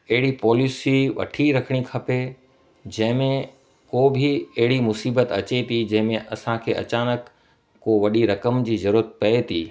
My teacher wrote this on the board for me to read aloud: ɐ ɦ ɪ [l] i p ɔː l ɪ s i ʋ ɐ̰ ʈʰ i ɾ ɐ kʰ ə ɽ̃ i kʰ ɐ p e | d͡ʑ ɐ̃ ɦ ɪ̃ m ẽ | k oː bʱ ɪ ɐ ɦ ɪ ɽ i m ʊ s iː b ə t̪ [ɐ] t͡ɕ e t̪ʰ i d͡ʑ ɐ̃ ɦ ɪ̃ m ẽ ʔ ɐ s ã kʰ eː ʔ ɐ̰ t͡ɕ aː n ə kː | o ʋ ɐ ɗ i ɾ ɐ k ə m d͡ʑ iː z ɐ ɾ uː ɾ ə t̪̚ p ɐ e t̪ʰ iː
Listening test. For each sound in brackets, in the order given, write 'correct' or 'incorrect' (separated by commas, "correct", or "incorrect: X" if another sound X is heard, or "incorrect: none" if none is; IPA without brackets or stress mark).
incorrect: ɽ, correct